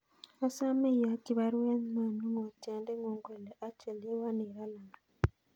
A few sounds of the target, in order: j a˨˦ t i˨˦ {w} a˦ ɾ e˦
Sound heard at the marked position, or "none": β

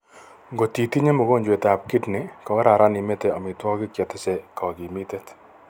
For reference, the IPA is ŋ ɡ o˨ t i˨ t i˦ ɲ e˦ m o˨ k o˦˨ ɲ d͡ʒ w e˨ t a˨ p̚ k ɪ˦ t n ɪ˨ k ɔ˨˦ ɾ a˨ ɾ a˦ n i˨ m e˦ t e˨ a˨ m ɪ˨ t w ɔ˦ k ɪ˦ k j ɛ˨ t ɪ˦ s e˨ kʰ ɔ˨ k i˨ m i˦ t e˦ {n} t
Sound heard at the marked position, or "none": none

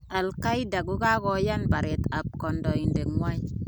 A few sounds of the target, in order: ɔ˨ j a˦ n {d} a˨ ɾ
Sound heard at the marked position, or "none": b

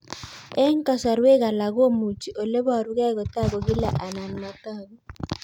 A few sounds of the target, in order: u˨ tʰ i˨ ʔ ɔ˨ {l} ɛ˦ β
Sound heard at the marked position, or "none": l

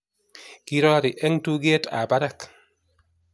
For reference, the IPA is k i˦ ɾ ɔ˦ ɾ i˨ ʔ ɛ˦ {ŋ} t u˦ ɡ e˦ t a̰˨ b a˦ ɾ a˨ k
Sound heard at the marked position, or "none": ŋ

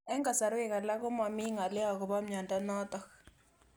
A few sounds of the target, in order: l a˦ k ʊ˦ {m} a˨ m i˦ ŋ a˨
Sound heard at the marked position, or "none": m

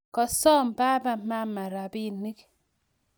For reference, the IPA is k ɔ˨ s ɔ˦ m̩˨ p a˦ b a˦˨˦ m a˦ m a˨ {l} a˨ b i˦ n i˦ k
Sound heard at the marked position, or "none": ɾ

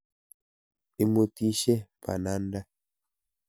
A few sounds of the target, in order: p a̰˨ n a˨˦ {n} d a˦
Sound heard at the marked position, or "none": n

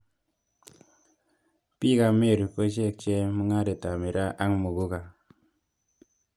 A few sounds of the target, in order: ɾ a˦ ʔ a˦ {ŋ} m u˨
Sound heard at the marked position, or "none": ŋ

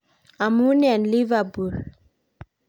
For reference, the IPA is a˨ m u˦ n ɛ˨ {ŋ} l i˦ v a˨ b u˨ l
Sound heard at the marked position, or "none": n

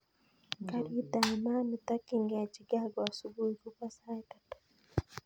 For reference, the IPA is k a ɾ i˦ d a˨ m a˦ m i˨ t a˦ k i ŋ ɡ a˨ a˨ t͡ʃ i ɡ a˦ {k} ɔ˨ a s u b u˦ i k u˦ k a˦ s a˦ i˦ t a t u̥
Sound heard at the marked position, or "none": ɡ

